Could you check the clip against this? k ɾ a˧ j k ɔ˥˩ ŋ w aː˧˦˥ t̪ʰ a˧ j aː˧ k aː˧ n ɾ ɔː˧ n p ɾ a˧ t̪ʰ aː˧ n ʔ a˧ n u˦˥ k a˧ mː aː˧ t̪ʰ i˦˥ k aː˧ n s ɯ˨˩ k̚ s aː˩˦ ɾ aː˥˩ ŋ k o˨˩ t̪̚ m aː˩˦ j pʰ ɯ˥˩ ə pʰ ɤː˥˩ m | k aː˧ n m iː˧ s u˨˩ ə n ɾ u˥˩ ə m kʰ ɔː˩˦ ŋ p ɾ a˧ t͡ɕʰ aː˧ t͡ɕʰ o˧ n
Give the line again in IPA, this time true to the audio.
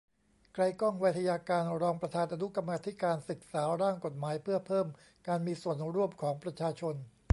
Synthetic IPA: k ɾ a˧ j k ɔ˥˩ ŋ w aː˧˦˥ t̪ʰ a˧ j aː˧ k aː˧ n ɾ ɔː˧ ŋ p ɾ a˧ t̪ʰ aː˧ n ʔ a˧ n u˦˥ k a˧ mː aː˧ t̪ʰ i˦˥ k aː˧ n s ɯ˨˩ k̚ s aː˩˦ ɾ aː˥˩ ŋ k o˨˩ t̪̚ m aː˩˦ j pʰ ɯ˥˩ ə pʰ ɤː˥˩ m | k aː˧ n m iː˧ s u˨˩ ə n ɾ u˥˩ ə m kʰ ɔː˩˦ ŋ p ɾ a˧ t͡ɕʰ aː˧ t͡ɕʰ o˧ n